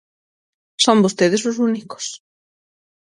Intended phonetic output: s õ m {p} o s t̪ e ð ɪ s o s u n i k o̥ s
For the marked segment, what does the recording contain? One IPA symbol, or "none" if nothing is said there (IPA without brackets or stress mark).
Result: b